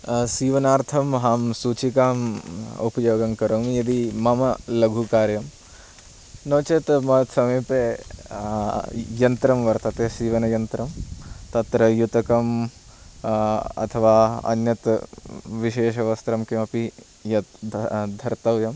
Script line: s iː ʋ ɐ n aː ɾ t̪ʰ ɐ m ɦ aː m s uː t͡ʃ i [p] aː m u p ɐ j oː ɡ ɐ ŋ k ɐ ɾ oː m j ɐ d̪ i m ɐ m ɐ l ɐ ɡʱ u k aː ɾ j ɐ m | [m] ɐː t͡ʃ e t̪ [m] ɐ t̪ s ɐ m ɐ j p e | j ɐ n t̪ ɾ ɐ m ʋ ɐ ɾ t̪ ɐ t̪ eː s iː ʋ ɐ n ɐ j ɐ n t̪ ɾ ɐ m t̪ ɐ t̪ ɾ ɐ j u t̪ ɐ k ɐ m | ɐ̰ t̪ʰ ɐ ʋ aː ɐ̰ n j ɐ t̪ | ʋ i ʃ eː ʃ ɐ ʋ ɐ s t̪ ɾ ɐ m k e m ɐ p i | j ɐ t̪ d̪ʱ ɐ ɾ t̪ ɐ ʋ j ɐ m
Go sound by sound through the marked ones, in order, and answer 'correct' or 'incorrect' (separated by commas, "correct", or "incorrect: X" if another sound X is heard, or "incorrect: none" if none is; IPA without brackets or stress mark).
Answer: incorrect: k, incorrect: n, correct